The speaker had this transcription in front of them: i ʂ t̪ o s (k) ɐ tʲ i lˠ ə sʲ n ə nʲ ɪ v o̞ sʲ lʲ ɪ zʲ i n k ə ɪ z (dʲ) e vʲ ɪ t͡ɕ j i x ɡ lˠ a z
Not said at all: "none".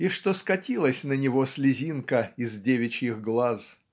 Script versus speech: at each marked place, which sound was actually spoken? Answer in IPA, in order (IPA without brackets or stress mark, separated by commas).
k, dʲ